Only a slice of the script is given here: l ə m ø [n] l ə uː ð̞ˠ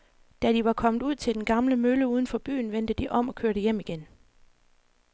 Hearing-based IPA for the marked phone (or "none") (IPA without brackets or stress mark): none